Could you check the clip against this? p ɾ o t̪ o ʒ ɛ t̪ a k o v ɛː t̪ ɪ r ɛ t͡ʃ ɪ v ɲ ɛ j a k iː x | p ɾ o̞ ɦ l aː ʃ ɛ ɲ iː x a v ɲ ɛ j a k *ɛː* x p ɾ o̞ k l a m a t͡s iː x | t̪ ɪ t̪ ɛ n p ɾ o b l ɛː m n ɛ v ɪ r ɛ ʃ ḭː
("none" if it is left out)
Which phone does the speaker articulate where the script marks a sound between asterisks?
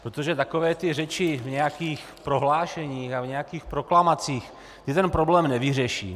iː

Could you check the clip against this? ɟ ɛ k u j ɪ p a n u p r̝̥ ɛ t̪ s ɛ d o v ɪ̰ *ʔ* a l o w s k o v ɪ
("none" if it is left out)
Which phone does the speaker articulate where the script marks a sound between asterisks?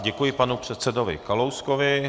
k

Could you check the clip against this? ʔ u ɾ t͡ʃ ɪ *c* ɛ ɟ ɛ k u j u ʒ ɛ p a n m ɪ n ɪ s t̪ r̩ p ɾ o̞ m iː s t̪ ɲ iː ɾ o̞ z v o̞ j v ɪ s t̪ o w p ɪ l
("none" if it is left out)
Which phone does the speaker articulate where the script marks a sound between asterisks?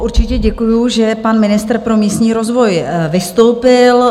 c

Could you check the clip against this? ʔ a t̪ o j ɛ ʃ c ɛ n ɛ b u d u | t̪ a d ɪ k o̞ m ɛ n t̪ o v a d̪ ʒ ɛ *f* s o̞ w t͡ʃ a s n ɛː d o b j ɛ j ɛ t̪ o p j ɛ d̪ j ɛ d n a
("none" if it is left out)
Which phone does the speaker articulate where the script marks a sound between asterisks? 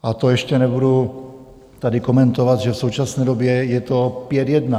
f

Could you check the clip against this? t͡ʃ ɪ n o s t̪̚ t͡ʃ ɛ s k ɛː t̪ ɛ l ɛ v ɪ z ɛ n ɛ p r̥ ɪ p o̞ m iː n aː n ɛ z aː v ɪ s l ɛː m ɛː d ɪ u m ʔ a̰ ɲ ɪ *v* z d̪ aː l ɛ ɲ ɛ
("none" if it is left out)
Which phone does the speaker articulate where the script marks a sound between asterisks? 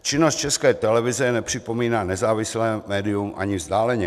v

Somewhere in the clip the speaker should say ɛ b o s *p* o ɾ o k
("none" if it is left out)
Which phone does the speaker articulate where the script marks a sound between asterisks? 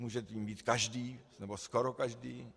k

